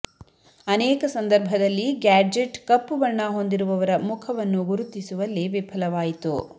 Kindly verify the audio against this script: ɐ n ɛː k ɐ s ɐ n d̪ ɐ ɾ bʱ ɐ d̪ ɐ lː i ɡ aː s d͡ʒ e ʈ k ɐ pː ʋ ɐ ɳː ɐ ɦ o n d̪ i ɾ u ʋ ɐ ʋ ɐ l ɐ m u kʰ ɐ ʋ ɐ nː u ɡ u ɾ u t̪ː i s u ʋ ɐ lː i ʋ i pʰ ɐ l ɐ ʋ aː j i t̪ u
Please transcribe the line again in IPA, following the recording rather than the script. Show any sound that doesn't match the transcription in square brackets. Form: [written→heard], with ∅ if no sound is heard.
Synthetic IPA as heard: ɐ n ɛː k ɐ s ɐ n d̪ ɐ ɾ bʱ ɐ d̪ ɐ lː i ɡ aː [s→∅] d͡ʒ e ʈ k ɐ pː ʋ ɐ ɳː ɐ ɦ o n d̪ i ɾ u ʋ ɐ ʋ ɐ [l→ɾ] ɐ m u kʰ ɐ ʋ ɐ nː u ɡ u ɾ u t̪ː i s u ʋ ɐ lː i ʋ i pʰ ɐ l ɐ ʋ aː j i t̪ u